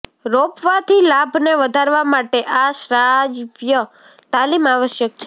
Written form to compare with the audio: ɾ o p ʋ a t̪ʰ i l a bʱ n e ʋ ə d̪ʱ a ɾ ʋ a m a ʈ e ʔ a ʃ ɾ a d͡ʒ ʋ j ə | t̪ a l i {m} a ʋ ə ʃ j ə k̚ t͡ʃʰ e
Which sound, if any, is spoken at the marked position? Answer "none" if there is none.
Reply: m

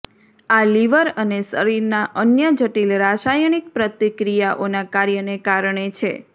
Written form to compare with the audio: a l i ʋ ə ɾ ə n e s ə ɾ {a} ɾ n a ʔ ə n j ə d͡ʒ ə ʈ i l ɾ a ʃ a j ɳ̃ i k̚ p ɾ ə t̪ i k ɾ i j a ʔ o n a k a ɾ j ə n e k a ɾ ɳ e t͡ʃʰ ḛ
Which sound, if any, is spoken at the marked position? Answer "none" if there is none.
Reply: i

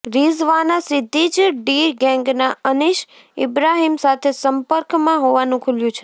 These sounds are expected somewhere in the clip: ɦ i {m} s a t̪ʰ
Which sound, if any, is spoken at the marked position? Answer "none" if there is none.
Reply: m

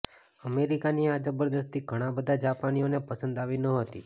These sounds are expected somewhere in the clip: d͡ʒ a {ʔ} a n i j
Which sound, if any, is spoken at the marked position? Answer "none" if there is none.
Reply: p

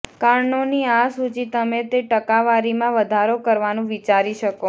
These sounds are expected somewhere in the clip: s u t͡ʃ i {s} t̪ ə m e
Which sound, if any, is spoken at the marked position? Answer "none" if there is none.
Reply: none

